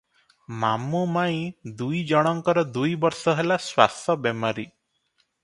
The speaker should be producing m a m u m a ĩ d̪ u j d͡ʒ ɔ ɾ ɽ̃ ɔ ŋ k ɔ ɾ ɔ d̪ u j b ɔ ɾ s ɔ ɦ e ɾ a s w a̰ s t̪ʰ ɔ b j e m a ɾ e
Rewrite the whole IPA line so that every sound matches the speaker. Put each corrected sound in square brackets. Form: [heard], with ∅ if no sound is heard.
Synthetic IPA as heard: m a m u m a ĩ d̪ u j d͡ʒ ɔ [∅] ɽ̃ ɔ ŋ k ɔ ɾ ɔ d̪ u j b ɔ ɾ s ɔ ɦ e [l] a s w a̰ s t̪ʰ ɔ b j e m a ɾ [i]